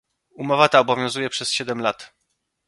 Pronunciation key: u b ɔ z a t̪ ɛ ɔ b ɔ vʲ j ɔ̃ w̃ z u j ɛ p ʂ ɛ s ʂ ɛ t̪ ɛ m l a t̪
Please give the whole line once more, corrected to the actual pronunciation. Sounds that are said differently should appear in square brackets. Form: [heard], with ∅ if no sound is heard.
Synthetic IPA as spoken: u [m] ɔ [v] a t̪ [a] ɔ b ɔ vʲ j ɔ̃ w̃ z u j ɛ p ʂ ɛ s [ɕ] ɛ [d̪] ɛ m l a t̪